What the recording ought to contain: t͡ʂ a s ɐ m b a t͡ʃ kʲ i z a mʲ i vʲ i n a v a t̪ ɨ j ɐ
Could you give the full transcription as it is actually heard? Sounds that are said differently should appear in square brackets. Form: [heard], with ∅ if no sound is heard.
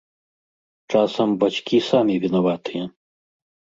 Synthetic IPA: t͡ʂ a s ɐ m b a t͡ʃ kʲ i [s] a mʲ i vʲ i n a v a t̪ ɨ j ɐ